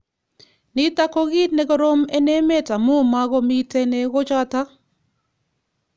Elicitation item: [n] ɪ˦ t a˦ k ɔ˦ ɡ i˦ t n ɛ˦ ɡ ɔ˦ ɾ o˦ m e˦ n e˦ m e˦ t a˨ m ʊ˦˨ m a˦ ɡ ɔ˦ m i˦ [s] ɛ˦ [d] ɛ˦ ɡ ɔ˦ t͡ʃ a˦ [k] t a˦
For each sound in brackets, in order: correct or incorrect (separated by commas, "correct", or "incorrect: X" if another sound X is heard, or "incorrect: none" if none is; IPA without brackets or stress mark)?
correct, incorrect: t, incorrect: n, incorrect: none